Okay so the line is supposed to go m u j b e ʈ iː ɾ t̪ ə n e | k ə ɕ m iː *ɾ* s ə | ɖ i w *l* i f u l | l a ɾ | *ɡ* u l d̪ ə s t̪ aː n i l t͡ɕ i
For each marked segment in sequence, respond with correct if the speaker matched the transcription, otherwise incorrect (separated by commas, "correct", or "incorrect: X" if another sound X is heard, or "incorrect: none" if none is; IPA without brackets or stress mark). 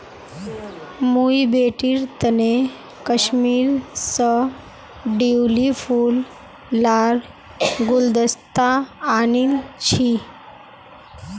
correct, correct, correct